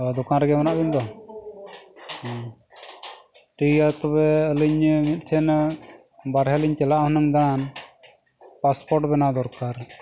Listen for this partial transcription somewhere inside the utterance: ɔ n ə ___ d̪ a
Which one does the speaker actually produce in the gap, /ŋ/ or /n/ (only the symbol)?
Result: ŋ